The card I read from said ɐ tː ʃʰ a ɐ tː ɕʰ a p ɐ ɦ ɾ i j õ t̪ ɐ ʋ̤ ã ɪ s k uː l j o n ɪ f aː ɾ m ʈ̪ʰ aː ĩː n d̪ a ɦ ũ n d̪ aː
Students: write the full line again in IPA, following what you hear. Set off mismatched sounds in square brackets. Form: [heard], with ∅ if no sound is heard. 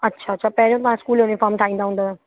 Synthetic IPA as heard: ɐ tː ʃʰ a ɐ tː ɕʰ a p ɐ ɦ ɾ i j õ t̪ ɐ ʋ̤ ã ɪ s k uː l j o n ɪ f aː ɾ m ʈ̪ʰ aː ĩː n d̪ a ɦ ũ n d̪ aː